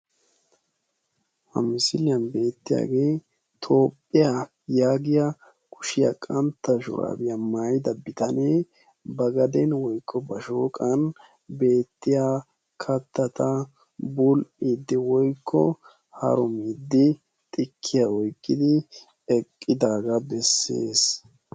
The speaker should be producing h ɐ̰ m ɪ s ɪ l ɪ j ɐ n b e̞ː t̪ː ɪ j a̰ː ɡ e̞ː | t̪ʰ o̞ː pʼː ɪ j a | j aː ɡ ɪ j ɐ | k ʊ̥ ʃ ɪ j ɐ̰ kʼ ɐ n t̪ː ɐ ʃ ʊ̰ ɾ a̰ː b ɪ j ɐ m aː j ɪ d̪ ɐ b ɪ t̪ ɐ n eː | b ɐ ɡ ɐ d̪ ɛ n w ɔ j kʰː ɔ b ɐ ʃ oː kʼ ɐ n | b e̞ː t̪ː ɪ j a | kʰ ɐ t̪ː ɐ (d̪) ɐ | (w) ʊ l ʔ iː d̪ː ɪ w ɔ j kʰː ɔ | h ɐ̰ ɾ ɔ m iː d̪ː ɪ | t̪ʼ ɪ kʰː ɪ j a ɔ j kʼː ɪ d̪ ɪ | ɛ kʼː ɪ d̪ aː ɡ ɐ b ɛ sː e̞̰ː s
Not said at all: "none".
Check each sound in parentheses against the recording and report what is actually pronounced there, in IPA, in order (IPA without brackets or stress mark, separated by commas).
t̪, b